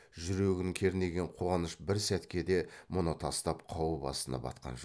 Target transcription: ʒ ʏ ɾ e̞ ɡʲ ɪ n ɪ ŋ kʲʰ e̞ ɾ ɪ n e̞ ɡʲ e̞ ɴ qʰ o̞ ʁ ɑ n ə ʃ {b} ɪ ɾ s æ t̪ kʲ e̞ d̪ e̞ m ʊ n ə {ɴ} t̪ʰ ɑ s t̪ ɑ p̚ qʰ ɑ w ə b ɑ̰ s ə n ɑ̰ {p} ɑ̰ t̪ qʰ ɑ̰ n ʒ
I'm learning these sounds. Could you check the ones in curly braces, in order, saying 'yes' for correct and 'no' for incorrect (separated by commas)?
yes, no, no